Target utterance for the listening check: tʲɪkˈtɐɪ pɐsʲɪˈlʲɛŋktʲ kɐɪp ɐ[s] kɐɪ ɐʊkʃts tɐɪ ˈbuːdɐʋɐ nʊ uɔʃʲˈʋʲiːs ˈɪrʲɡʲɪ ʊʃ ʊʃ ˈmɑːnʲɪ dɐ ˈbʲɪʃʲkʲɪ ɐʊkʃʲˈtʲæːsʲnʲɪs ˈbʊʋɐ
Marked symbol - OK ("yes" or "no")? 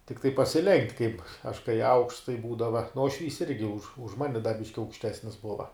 no